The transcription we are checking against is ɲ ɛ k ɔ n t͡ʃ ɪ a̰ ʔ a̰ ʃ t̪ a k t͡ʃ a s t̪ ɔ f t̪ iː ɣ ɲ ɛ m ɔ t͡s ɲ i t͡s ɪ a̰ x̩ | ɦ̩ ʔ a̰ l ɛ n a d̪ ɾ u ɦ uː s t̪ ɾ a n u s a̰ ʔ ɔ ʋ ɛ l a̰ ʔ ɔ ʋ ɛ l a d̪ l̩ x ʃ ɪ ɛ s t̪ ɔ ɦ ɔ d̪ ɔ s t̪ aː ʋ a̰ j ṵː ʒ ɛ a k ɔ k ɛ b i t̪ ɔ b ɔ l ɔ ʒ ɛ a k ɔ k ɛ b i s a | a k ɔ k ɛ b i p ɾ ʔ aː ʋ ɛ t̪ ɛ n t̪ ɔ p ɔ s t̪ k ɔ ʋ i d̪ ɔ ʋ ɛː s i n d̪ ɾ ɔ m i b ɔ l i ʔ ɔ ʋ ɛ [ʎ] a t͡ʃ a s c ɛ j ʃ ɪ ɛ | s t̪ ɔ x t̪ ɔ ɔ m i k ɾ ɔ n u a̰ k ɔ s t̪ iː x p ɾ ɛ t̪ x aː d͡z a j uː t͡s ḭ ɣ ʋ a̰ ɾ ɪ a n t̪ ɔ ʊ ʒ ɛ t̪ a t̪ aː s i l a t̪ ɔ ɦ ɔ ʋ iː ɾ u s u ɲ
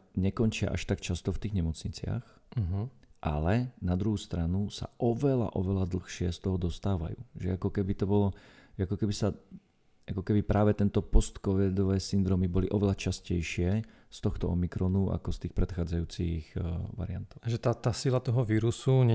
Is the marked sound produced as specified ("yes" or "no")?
no